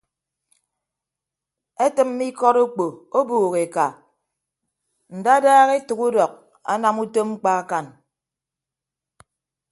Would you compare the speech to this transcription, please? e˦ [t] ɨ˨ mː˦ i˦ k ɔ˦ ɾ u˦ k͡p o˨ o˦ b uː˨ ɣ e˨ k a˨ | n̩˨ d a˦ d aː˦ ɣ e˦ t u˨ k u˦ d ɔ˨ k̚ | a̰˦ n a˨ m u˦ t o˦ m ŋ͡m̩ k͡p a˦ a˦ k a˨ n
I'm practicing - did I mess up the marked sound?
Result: no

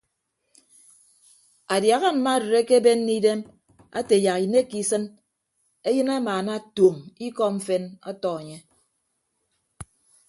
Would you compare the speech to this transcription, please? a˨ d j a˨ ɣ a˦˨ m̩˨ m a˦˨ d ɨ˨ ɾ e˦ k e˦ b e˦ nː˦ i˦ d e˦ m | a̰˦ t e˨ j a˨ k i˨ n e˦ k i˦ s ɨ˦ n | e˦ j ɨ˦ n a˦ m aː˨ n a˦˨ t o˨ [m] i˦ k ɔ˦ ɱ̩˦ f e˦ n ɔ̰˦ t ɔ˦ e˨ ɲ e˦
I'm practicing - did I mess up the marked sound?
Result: no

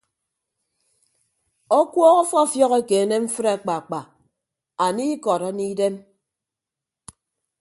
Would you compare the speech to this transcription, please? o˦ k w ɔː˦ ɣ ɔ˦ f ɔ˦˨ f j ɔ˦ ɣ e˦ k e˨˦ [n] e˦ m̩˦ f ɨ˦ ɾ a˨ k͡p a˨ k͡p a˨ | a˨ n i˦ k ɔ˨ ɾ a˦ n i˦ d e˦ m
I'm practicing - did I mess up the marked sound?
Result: no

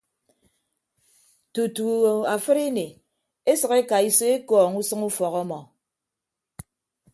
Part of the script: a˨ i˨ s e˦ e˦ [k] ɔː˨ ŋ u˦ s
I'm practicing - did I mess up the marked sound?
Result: no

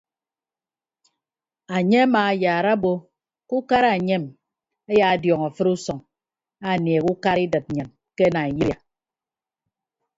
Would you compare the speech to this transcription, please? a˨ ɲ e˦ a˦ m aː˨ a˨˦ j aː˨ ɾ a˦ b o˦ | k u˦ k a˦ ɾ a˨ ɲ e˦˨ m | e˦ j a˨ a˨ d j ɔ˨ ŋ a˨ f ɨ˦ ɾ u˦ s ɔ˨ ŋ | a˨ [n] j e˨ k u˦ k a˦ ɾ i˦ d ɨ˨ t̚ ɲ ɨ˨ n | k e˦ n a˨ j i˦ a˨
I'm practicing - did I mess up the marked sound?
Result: no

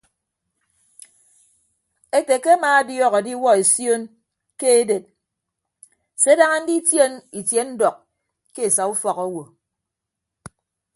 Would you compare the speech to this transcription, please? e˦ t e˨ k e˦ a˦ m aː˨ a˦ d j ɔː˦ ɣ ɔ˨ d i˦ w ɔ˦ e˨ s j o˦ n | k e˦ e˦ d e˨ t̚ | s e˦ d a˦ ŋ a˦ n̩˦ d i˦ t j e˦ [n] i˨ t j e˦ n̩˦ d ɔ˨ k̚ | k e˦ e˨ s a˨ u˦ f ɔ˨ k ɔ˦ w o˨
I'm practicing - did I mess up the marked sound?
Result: no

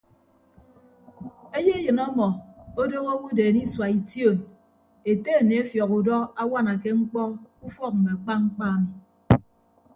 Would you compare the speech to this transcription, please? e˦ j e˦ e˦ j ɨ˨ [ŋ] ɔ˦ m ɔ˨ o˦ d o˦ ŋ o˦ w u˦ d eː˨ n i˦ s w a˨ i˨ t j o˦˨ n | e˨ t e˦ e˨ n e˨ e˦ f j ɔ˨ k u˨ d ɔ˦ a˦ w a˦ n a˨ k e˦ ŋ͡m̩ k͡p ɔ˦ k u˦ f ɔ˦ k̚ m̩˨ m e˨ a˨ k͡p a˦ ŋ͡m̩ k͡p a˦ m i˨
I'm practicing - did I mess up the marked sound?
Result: yes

